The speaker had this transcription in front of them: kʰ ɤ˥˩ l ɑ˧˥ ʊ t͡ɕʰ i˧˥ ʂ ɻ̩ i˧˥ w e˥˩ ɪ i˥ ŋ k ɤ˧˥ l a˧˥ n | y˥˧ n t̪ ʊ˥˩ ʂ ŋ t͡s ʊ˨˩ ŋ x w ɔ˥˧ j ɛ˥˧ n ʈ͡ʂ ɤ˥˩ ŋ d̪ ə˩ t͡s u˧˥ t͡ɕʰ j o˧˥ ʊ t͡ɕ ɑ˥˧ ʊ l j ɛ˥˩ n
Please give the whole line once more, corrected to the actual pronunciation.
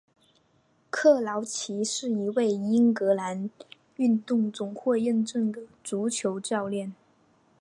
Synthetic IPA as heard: kʰ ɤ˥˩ l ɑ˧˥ ʊ t͡ɕʰ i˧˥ ʂ ɻ̩ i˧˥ w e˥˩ ɪ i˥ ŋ k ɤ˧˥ l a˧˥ n | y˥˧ n t̪ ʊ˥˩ ŋ t͡s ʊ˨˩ ŋ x w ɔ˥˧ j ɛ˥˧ n ʈ͡ʂ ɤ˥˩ ŋ d̪ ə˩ t͡s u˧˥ t͡ɕʰ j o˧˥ ʊ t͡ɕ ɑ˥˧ ʊ l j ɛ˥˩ n

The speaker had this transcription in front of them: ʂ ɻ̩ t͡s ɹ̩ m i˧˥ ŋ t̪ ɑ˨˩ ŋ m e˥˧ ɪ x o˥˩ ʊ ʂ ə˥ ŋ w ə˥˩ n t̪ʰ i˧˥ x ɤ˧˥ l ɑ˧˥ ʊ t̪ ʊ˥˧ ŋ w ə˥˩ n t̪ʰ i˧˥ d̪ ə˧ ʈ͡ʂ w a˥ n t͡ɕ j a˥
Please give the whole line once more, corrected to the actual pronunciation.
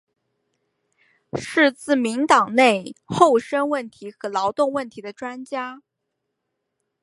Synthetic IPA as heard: ʂ ɻ̩ t͡s ɹ̩ m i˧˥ ŋ t̪ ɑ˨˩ ŋ n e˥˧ ɪ x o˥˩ ʊ ʂ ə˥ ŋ w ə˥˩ n t̪ʰ i˧˥ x ɤ˧˥ l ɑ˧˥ ʊ t̪ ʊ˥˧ ŋ w ə˥˩ n t̪ʰ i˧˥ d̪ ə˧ ʈ͡ʂ w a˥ n t͡ɕ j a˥

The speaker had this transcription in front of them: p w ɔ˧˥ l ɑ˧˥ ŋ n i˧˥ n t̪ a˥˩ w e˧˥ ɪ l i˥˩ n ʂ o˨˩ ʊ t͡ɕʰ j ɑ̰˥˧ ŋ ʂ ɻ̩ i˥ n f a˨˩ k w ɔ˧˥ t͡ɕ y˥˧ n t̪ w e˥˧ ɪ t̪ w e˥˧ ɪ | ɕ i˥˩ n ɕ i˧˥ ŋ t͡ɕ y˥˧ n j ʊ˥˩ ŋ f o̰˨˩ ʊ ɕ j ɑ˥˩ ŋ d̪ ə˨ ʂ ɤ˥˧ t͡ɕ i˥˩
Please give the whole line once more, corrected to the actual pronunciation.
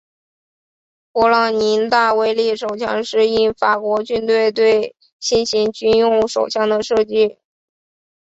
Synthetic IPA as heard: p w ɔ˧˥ l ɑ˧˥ ŋ n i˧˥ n t̪ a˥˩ w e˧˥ ɪ l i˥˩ ʂ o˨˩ ʊ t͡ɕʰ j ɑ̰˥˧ ŋ ʂ ɻ̩ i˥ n f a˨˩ k w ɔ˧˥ t͡ɕ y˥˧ n t̪ w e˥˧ ɪ t̪ w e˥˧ ɪ | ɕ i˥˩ n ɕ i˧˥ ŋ t͡ɕ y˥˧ n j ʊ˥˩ ŋ ʂ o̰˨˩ ʊ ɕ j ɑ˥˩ ŋ d̪ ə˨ ʂ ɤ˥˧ t͡ɕ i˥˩

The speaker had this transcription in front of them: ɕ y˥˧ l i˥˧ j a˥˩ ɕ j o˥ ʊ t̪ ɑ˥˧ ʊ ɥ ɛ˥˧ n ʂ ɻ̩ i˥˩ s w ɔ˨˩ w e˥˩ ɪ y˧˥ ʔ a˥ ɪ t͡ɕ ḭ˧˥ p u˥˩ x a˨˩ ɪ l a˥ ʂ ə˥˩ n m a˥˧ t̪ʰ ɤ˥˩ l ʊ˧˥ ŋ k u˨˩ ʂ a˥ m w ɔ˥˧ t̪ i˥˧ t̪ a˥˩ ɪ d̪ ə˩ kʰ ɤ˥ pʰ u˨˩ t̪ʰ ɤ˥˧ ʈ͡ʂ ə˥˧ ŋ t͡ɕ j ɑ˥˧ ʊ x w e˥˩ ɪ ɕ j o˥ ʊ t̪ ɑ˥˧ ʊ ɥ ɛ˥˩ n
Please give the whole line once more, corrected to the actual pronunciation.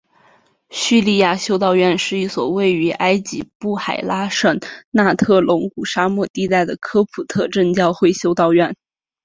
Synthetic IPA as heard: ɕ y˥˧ l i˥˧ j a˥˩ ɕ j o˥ ʊ t̪ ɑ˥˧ ʊ ɥ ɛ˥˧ n ʂ ɻ̩ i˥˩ s w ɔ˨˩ w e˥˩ ɪ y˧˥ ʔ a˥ ɪ t͡ɕ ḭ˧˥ p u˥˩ x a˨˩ ɪ l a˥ ʂ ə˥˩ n n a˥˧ t̪ʰ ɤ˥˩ l ʊ˧˥ ŋ k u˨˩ ʂ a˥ m w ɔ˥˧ t̪ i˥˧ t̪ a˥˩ ɪ d̪ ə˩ kʰ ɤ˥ pʰ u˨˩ t̪ʰ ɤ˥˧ ʈ͡ʂ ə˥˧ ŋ t͡ɕ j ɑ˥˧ ʊ x w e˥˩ ɪ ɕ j o˥ ʊ t̪ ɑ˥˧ ʊ ɥ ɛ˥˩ n

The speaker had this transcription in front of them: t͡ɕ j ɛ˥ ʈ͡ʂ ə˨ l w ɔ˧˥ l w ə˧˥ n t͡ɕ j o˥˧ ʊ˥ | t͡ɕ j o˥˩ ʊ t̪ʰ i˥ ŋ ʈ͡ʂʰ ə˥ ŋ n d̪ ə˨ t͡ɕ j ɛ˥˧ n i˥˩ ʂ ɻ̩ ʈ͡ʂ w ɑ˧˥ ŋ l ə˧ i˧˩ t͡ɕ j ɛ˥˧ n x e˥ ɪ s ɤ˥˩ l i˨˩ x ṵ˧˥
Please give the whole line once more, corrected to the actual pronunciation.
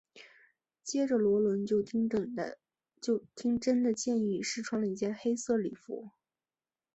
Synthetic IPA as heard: t͡ɕ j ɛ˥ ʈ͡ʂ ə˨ l w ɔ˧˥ l w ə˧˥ n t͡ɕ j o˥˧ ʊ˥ | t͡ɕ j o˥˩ ʊ t̪ʰ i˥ ŋ ʈ͡ʂ ə˥ n d̪ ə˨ t͡ɕ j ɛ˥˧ n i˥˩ ʂ ɻ̩ ʈ͡ʂʰ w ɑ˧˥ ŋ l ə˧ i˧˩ t͡ɕ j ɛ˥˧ n x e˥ ɪ s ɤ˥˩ l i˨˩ f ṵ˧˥

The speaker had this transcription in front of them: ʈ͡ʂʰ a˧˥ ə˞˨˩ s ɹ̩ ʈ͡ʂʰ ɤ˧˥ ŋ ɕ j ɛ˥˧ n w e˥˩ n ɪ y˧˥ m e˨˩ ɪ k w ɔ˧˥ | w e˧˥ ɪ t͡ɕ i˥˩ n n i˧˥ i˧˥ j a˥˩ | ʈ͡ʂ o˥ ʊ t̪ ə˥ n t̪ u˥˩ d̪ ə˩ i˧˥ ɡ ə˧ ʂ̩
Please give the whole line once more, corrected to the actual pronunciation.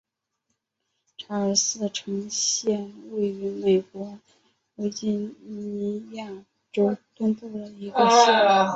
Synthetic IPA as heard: ʈ͡ʂʰ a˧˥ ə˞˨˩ s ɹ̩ ʈ͡ʂʰ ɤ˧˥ ŋ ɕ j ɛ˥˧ n w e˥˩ ɪ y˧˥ m e˨˩ ɪ k w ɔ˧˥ | w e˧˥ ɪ t͡ɕ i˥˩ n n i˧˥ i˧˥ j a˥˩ | ʈ͡ʂ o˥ ʊ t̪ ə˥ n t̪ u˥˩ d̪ ə˩ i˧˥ ɡ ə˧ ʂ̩

